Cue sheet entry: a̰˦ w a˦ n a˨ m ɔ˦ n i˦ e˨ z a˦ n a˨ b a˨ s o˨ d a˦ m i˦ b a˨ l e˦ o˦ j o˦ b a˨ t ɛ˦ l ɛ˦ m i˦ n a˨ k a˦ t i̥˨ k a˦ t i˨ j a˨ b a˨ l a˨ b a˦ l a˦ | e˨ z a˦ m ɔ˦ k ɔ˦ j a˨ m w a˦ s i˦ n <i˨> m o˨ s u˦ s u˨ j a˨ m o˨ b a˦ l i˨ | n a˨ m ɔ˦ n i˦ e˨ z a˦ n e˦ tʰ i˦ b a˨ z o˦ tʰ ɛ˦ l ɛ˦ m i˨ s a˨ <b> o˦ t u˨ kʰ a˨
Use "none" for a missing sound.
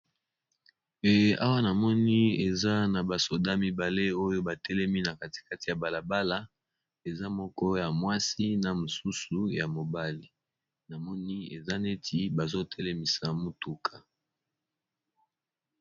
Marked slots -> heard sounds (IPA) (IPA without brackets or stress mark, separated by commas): a˨, m